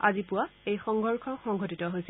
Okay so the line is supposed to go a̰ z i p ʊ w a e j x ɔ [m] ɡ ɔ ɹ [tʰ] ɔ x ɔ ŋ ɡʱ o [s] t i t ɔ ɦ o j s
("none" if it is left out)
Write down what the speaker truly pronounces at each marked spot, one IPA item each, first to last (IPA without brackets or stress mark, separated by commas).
ŋ, kʰ, none